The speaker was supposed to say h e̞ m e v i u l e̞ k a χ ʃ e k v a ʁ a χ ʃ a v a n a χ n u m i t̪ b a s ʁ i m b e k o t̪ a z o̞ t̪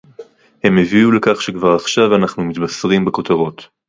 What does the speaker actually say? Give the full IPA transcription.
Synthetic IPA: h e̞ m e v i u l e̞ k a χ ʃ e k v a ʁ a χ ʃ a v a n a χ n u m i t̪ b a s ʁ i m b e k o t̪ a ʁ o̞ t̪